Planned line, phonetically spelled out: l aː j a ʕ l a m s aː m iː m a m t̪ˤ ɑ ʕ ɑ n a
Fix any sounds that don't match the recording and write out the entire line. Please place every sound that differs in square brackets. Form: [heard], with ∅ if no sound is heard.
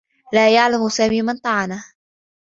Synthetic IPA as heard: l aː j a ʕ l a m s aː m iː m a [n] t̪ˤ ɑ ʕ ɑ n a